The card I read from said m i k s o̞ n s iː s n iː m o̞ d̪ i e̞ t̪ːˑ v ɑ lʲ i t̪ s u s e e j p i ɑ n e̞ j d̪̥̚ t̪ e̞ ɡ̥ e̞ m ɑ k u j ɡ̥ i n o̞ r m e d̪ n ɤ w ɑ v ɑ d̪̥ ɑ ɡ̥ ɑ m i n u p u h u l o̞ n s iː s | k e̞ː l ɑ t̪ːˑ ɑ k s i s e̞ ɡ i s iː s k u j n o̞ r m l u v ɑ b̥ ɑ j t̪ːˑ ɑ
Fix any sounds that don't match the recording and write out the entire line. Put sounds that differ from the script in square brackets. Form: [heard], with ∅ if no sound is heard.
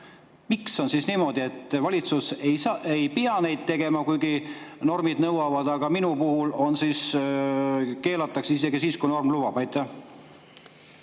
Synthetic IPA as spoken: m i k s o̞ n s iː s n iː m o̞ d̪ i e̞ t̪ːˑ v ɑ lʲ i t̪ s u s e e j p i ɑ n e̞ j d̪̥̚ t̪ e̞ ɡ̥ e̞ m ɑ k u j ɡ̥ i n o̞ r m [i] d̪ n ɤ w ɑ v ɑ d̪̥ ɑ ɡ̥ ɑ m i n u p u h u l o̞ n s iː s | k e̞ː l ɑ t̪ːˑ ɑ k s i s e̞ ɡ i s iː s k u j n o̞ r m l u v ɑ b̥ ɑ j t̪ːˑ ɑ